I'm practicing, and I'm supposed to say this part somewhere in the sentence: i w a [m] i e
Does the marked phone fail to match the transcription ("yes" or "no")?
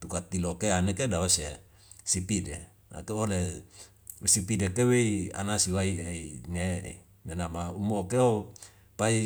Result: yes